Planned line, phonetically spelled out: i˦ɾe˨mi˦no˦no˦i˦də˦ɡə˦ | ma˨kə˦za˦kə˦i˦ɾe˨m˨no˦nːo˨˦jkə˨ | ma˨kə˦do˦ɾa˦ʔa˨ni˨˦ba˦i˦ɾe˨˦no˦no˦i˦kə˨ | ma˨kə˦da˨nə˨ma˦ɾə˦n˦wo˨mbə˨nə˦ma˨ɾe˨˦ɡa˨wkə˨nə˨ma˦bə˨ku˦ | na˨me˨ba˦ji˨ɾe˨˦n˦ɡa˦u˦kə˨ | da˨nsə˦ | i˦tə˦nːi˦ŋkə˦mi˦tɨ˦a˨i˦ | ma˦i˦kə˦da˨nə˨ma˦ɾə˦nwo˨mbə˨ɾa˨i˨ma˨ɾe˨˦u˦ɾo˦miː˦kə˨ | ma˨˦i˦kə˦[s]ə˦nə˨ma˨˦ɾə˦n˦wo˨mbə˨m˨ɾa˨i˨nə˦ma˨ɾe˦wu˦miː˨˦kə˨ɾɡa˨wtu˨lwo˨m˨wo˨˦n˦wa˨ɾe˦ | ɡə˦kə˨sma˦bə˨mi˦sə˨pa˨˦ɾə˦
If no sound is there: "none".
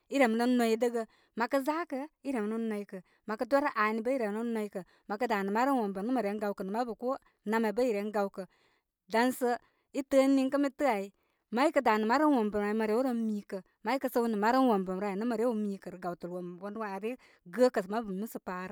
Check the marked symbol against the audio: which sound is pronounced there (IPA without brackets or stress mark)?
s